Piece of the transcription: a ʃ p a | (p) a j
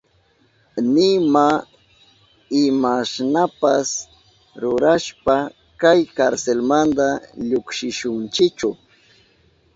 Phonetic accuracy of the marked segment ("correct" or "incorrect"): incorrect